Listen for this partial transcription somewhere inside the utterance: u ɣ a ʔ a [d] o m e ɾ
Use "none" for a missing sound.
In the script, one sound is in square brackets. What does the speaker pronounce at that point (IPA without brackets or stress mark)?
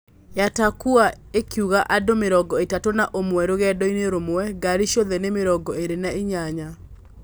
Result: d